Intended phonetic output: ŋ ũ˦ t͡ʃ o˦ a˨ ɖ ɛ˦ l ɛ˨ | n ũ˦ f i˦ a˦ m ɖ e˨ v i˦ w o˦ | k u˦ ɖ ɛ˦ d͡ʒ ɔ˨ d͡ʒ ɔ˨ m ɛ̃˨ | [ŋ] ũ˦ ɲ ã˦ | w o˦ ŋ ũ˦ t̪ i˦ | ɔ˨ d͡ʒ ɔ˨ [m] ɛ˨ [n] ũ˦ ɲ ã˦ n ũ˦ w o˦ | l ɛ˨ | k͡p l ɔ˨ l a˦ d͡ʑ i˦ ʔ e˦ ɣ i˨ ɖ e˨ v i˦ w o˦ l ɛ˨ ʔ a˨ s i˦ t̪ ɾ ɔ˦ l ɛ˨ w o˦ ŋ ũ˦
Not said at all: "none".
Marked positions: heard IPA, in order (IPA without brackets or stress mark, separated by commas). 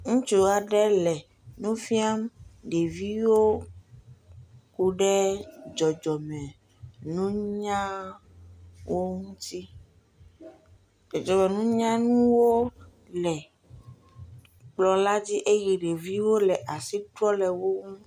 n, m, n